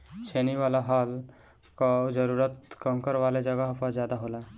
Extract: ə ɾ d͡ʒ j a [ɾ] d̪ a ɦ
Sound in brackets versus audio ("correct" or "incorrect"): incorrect